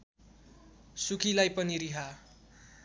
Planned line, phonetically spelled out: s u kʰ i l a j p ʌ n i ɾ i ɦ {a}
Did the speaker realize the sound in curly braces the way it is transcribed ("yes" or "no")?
yes